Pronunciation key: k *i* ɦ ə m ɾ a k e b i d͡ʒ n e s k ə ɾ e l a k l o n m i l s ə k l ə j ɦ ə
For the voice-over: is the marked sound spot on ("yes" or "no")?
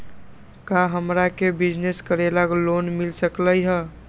no